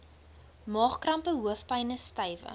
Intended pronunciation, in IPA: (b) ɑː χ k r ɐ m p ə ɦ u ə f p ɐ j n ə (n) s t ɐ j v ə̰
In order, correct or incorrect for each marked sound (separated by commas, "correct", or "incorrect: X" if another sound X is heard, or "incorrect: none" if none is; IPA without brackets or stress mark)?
incorrect: m, incorrect: none